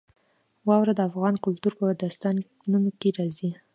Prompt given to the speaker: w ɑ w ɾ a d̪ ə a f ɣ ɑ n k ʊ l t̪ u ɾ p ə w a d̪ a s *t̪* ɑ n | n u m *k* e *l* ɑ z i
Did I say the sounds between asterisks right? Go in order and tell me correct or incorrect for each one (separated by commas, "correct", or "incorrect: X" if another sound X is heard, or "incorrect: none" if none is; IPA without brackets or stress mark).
correct, correct, incorrect: ɾ